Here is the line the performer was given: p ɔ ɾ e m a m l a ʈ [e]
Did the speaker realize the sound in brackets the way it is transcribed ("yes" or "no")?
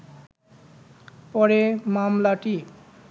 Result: no